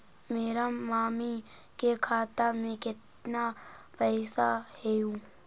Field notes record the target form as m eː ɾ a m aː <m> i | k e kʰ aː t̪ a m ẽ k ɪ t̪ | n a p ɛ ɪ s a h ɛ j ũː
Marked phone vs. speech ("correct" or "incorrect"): correct